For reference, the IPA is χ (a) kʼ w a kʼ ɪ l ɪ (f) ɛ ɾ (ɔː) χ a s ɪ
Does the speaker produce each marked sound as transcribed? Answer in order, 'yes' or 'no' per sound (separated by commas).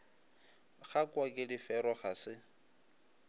yes, yes, no